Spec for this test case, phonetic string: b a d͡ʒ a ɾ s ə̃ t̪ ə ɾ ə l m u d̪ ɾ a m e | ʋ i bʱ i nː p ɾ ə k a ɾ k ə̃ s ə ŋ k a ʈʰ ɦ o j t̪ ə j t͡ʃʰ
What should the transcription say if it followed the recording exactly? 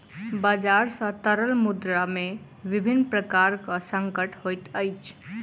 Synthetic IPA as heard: b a d͡ʒ a ɾ s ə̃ t̪ ə ɾ ə l m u d̪ ɾ a m e | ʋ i bʱ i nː p ɾ ə k a ɾ k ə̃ s ə ŋ k ə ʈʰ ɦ o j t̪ ə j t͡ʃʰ